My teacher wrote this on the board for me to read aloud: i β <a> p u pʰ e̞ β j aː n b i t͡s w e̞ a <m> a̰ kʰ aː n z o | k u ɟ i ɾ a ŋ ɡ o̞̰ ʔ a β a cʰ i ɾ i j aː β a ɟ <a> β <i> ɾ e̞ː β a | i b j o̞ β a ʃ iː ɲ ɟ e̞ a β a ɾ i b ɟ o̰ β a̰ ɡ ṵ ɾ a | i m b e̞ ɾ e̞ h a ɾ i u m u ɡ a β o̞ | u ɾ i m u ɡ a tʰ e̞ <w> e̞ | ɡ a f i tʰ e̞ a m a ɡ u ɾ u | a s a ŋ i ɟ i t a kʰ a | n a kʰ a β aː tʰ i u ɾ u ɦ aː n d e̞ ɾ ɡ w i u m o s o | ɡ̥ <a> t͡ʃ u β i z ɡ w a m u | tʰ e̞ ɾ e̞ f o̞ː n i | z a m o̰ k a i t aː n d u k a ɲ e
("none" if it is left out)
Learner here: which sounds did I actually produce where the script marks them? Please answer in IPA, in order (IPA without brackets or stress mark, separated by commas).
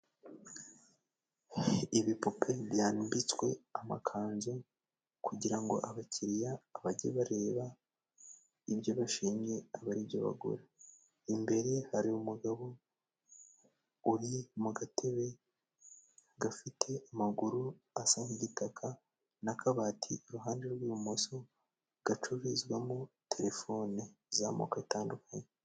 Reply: i, m, e, a, β, a